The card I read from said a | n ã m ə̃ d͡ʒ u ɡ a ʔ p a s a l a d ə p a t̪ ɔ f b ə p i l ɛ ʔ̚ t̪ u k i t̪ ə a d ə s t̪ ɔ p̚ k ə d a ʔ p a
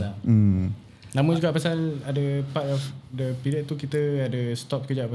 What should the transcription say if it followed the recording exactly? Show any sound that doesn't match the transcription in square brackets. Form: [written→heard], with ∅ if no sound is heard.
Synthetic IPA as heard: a | n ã m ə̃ d͡ʒ u ɡ a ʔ p a s a l a d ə p a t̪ ɔ f [b→d] ə p i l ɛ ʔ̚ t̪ u k i t̪ ə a d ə s t̪ ɔ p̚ k ə [d→d͡ʒ] a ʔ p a